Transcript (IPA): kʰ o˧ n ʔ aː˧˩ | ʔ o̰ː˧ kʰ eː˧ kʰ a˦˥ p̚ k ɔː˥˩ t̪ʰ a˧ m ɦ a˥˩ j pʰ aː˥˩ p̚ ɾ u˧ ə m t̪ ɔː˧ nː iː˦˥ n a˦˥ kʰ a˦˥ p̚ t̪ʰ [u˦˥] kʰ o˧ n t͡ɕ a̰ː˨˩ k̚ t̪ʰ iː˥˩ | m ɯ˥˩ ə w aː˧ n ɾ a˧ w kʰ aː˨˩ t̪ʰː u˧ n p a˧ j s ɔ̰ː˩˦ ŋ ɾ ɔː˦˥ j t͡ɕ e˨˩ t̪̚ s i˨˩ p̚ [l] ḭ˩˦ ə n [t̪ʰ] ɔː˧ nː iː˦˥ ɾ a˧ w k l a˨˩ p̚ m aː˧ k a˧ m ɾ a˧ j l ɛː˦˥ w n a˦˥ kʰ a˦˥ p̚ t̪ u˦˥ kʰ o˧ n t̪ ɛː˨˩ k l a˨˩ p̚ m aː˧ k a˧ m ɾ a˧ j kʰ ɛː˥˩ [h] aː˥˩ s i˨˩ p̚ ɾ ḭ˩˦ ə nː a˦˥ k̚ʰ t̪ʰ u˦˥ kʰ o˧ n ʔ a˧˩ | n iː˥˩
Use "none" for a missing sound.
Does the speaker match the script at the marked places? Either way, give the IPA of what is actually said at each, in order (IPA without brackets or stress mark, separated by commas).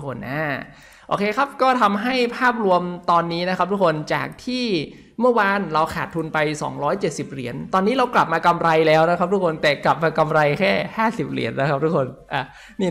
u˦˥, ɾ, t̪, h